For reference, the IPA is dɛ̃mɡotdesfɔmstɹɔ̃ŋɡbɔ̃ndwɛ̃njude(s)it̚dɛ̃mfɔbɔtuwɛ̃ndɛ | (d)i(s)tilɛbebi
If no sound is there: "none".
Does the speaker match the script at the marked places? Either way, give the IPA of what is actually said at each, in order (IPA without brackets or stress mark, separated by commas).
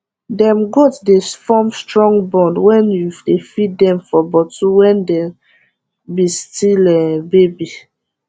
f, b, s